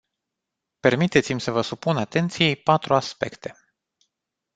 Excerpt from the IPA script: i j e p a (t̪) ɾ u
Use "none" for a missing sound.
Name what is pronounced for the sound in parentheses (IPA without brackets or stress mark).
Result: t̪